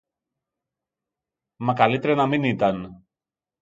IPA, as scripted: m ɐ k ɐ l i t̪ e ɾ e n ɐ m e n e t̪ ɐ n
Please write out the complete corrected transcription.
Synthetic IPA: m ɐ k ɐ l i t̪ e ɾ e n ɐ m i n i t̪ ɐ n